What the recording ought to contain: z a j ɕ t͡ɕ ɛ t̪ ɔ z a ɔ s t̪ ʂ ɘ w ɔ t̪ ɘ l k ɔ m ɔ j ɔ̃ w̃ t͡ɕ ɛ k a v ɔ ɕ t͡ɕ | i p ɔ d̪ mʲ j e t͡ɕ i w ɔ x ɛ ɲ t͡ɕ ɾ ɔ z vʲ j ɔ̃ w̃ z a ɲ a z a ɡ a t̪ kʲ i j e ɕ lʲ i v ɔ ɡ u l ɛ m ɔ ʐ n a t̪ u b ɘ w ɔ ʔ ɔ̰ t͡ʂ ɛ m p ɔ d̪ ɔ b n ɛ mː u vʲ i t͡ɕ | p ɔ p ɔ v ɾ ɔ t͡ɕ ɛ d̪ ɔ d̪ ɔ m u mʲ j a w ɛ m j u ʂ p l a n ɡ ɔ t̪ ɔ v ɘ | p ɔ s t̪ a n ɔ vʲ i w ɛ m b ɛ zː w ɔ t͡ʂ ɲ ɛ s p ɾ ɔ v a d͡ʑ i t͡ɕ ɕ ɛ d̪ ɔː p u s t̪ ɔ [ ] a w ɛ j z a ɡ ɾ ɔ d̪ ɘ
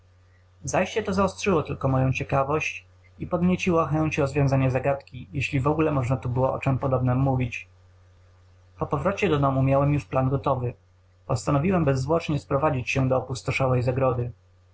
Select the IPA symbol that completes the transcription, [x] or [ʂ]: ʂ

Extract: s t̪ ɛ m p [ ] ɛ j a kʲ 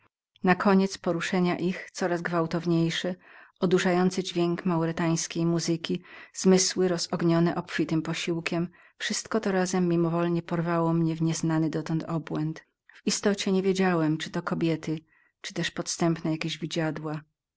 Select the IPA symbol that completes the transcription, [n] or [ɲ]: n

